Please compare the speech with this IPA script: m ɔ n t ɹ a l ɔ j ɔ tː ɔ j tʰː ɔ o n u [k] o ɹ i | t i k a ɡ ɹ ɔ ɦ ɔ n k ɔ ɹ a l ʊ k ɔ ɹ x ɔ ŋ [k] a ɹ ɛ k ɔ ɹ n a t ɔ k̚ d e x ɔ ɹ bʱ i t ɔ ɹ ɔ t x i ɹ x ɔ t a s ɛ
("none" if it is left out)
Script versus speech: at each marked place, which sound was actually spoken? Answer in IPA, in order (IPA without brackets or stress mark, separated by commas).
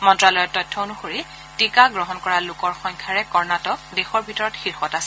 x, kʰ